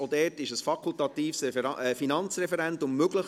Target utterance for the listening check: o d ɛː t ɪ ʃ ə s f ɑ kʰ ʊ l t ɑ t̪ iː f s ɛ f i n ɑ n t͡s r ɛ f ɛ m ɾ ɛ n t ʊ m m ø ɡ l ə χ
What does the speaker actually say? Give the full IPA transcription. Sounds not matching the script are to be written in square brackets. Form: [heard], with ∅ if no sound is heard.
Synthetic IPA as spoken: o d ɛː t ɪ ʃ ə s f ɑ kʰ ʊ l t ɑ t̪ iː f s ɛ f i n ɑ n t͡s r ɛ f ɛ [∅] ɾ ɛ n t ʊ m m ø ɡ l ə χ